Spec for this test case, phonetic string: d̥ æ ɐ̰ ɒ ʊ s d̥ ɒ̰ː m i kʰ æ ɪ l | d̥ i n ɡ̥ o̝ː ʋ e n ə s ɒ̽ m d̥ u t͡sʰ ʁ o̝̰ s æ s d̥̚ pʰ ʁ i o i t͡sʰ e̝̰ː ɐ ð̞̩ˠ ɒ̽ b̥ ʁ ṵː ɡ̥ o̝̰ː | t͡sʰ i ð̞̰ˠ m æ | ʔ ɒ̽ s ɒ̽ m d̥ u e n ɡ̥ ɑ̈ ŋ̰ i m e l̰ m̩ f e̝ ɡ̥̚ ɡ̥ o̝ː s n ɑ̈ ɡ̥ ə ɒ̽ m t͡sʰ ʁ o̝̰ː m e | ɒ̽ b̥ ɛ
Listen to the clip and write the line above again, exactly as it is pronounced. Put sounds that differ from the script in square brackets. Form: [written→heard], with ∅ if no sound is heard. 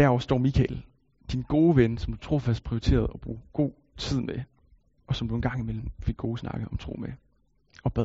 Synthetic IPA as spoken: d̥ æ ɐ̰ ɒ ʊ s d̥ ɒ̰ː m i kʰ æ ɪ l | d̥ i n ɡ̥ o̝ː ʋ e n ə s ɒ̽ m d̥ u t͡sʰ ʁ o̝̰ [s→f] æ s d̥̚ pʰ ʁ i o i t͡sʰ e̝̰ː ɐ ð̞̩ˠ ɒ̽ b̥ ʁ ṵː ɡ̥ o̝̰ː | t͡sʰ i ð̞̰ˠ m [æ→e] | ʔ ɒ̽ s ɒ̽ m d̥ u e n ɡ̥ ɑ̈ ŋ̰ i m e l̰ m̩ f e̝ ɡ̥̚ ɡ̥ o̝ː s n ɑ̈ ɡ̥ ə ɒ̽ m t͡sʰ ʁ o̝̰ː m e | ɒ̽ b̥ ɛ